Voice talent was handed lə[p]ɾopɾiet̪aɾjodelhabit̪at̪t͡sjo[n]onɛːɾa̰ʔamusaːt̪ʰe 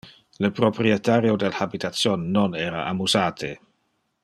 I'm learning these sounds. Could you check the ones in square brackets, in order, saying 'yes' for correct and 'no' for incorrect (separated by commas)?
yes, no